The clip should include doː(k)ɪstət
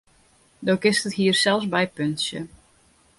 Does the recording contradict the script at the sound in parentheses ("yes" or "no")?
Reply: no